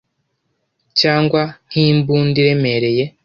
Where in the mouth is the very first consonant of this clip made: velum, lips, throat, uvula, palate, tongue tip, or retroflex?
palate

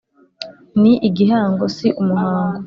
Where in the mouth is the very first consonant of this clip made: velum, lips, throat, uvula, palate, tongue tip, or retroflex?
tongue tip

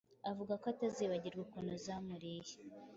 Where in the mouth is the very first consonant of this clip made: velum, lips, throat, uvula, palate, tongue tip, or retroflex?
lips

